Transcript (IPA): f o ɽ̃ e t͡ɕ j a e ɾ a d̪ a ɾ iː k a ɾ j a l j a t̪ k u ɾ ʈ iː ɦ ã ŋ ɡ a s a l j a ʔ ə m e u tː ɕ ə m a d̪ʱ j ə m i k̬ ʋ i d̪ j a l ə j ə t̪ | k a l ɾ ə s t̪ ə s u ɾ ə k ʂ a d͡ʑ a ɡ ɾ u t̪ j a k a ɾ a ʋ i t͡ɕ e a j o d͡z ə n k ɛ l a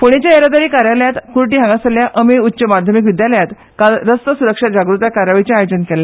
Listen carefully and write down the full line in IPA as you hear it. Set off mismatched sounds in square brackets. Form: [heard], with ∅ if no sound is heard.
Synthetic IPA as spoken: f o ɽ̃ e t͡ɕ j a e ɾ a d̪ a ɾ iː k a ɾ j a l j a t̪ k u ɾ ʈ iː ɦ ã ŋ ɡ a s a l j a ʔ ə m e u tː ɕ ə m a d̪ʱ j ə m i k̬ ʋ i d̪ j a l ə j [a] t̪ | k a l ɾ ə s t̪ ə s u ɾ ə k ʂ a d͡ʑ a ɡ ɾ u t̪ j a k a ɾ a ʋ i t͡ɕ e a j o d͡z ə n k ɛ l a